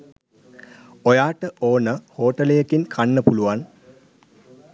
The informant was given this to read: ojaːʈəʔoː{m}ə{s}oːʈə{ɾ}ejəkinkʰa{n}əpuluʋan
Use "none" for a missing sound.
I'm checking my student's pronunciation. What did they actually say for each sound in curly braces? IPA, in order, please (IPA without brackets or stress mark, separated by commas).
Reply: n, h, l, nː